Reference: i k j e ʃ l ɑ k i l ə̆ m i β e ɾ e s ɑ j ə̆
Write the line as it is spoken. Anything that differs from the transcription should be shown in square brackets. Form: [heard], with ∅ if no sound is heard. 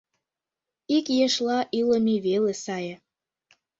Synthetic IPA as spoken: i k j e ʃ l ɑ [ʔ] i l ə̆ m i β e [l] e s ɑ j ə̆